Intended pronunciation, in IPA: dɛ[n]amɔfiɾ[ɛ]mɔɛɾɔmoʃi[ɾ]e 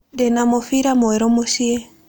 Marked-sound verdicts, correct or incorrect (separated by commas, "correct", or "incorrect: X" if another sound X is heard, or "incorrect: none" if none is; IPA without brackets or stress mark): correct, incorrect: a, incorrect: none